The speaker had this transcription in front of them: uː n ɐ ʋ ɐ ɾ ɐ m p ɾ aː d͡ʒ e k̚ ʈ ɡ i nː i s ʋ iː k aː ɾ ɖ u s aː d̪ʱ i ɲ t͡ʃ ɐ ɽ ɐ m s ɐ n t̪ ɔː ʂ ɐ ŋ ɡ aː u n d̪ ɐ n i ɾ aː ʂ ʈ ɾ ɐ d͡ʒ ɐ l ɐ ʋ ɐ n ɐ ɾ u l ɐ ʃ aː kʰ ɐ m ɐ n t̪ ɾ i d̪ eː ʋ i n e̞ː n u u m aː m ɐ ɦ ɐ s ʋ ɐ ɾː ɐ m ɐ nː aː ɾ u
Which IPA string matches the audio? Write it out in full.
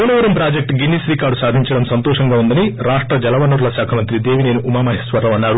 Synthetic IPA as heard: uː n ɐ ʋ ɐ ɾ ɐ m p ɾ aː d͡ʒ e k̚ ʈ ɡ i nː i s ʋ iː k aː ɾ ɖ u s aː d̪ʱ i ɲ t͡ʃ ɐ ɽ ɐ m s ɐ n t̪ ɔː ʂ ɐ ŋ ɡ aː u n d̪ ɐ n i ɾ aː ʂ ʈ ɾ ɐ d͡ʒ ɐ l ɐ ʋ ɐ n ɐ ɾ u l ɐ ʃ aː kʰ ɐ m ɐ n t̪ ɾ i d̪ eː ʋ i n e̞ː n u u m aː m ɐ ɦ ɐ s ʋ ɐ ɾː ɐ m ɐ nː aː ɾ u